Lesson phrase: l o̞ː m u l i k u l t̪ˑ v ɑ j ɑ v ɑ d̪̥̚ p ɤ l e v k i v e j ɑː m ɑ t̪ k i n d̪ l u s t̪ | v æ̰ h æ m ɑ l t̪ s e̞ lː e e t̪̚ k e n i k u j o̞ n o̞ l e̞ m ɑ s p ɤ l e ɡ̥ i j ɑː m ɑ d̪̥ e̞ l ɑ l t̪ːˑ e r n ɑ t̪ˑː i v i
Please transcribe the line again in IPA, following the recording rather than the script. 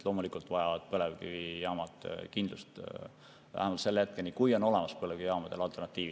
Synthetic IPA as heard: l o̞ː m u l i k u l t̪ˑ v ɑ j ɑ v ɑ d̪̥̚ p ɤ l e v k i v i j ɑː m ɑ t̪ k i n d̪ l u s t̪ | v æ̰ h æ m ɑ l t̪ s e̞ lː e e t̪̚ k e n i k u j o̞ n o̞ l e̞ m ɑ s p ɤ l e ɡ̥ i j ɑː m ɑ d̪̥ e̞ l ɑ l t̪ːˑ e r n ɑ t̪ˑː iː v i